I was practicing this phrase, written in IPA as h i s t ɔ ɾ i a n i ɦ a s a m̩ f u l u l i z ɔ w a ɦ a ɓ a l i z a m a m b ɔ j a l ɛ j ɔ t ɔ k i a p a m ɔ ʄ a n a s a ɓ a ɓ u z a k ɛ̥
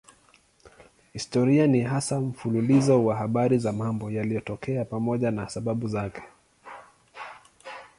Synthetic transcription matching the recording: h i s t ɔ ɾ i a n i ɦ a s a m̩ f u l u l i z ɔ w a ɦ a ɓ a ɾ i z a m a m b ɔ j a l i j ɔ t ɔ k ɛ a p a m ɔ ʄ a n a s a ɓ a ɓ u z a k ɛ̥